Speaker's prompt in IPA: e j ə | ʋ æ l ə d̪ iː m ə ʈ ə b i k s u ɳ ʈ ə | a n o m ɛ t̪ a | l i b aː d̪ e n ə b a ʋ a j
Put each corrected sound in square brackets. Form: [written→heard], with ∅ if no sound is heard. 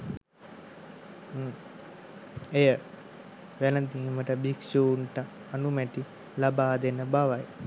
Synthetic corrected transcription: e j ə | ʋ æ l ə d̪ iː m ə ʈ ə b i k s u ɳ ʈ ə | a n [o→u] m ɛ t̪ [a→i] | l [i→a] b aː d̪ e n ə b a ʋ a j